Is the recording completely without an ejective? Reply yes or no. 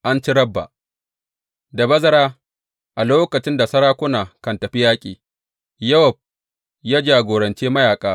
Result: no